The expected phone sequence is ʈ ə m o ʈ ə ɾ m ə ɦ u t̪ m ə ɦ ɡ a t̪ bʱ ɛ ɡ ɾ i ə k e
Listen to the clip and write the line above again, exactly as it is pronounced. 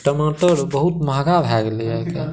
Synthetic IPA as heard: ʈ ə m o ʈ ə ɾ b ə ɦ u t̪ m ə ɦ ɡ a bʱ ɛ ɡ l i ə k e